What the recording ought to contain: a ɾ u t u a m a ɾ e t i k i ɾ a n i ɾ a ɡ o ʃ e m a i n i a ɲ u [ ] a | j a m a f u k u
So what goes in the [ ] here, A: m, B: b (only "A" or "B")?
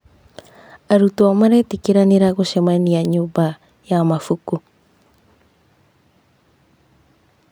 B